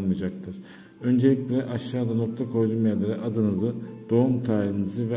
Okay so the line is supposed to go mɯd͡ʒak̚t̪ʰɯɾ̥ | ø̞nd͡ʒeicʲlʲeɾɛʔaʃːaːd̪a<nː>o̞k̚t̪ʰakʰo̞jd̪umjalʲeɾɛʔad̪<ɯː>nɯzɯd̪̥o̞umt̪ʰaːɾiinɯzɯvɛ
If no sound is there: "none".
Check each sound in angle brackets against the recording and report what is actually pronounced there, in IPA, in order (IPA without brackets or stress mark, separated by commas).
n, ɯ